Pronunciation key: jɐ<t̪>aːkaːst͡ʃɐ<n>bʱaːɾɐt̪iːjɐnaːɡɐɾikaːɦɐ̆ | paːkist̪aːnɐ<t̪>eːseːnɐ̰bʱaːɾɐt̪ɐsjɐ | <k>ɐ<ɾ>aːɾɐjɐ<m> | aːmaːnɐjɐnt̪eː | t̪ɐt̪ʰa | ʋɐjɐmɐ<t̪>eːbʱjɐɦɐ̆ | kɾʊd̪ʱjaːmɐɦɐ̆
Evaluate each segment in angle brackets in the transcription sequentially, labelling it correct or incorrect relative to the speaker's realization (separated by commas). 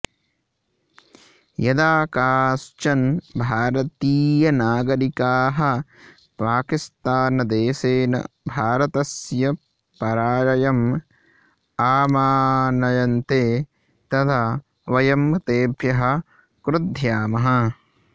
incorrect, correct, incorrect, incorrect, correct, correct, correct